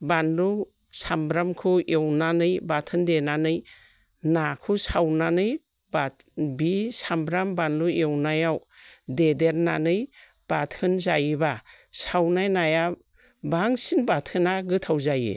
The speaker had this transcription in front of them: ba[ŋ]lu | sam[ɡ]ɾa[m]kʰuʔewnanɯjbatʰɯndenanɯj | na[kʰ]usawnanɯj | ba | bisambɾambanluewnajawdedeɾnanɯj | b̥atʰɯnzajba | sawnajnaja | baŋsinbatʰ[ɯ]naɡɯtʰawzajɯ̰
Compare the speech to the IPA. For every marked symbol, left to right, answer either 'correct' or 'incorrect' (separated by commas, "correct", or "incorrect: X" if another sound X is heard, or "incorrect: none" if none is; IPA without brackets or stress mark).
incorrect: n, incorrect: b, correct, correct, correct